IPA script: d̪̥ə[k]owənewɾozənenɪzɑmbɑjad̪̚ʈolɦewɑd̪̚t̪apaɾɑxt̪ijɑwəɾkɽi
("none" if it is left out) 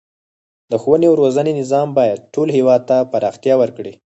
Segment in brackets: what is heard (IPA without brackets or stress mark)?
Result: x